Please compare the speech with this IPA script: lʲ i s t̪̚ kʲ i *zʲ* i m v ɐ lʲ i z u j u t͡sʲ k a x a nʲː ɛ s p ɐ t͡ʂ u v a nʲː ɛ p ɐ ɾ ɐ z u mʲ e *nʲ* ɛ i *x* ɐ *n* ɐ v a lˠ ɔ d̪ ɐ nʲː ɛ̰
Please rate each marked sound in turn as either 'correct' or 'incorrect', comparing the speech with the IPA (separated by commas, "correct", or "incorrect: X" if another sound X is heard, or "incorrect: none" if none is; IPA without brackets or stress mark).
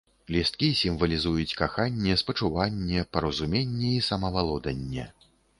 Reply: incorrect: sʲ, incorrect: nʲː, incorrect: s, incorrect: m